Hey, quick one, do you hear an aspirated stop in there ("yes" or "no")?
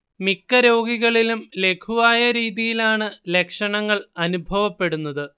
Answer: yes